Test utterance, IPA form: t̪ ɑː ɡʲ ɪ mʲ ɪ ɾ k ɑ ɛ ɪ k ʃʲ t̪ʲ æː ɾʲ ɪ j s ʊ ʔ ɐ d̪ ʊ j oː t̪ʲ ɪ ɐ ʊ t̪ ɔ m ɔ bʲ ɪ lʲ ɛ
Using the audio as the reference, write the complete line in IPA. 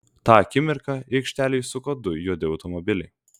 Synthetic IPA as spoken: t̪ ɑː kʲ ɪ mʲ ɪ ɾ k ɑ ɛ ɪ k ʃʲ t̪ʲ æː lʲ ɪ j s ʊ k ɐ d̪ ʊ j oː d̪ʲ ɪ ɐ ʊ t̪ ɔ m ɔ bʲ ɪ lʲ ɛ